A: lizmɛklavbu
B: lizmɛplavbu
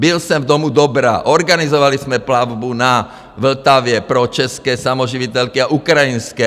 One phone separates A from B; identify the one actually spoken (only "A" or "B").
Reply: B